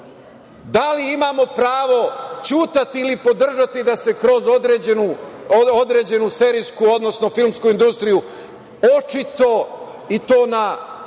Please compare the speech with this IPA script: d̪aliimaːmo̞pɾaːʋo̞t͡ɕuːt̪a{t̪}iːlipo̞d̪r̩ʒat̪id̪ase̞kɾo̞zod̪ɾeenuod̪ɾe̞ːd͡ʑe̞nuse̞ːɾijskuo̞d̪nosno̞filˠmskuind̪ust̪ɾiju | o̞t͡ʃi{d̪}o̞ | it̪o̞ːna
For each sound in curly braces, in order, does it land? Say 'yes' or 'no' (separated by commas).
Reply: yes, no